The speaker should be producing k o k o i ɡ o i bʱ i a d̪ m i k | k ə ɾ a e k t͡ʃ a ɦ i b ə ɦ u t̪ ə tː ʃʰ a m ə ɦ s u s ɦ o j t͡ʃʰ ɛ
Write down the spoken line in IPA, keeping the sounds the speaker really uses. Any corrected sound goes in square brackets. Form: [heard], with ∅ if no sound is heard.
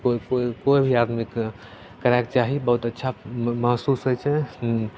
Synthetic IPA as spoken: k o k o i [k] o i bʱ i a d̪ m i k | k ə ɾ a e k t͡ʃ a ɦ i b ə ɦ u t̪ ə tː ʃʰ a m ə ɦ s u s ɦ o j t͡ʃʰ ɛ